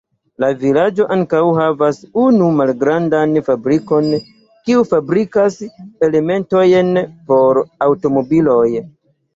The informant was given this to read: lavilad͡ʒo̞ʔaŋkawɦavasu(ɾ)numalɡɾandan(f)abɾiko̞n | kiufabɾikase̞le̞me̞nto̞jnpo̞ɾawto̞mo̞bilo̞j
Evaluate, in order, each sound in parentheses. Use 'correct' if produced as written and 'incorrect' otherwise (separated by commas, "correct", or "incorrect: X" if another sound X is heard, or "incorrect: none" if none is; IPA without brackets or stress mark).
incorrect: none, correct